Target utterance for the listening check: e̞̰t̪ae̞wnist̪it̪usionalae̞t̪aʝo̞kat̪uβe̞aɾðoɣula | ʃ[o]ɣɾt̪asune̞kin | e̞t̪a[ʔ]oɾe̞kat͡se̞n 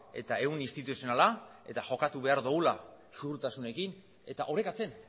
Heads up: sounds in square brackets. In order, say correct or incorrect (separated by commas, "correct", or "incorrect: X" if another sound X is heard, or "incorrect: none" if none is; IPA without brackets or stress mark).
incorrect: u, correct